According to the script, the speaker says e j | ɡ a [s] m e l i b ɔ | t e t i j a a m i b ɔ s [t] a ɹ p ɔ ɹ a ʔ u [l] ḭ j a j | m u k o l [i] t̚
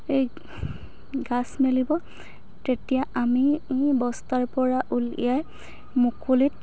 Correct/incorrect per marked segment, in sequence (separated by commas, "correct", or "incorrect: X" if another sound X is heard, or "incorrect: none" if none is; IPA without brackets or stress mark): correct, correct, correct, correct